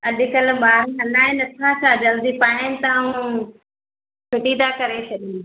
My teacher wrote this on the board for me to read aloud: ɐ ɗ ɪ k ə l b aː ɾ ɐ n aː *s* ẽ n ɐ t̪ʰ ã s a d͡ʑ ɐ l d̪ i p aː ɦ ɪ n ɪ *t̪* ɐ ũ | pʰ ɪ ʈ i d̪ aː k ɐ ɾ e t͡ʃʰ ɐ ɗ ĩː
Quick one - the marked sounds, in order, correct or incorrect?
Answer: incorrect: none, correct

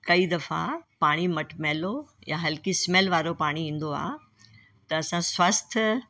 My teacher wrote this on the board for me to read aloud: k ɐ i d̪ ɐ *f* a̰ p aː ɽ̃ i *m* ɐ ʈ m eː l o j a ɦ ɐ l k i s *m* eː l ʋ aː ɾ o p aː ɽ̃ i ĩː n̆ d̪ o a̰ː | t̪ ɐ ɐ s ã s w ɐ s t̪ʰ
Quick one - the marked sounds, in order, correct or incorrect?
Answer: correct, correct, correct

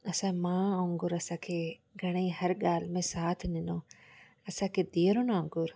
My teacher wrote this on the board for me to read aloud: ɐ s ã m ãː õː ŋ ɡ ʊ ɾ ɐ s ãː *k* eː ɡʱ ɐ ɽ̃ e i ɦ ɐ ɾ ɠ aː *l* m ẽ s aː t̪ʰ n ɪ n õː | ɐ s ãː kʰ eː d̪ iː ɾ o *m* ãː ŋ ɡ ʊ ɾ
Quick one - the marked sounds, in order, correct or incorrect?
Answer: incorrect: kʰ, correct, incorrect: n

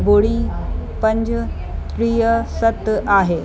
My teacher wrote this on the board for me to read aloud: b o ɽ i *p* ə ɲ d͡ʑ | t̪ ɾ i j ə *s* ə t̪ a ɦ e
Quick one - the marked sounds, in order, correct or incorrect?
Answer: correct, correct

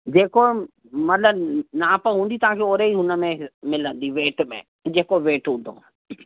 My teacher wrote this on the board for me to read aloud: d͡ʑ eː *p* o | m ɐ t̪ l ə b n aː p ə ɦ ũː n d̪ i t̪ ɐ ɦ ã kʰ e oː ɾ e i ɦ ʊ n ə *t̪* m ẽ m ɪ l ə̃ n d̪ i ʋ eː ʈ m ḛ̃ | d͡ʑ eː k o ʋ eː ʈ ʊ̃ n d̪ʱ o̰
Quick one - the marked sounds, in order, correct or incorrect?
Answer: incorrect: k, incorrect: none

